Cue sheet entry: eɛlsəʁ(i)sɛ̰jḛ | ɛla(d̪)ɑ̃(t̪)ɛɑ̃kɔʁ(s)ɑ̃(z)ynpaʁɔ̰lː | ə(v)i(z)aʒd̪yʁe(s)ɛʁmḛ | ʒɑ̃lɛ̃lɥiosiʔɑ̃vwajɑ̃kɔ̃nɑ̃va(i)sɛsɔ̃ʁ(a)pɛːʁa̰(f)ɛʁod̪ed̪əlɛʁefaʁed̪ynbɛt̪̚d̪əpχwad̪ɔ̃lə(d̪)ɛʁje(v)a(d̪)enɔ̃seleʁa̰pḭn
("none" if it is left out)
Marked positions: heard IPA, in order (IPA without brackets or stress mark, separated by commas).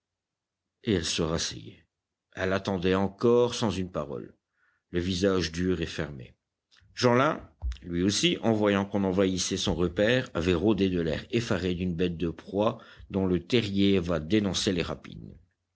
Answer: a, t̪, d̪, s, z, v, z, f, i, ə, v, t̪, v, d̪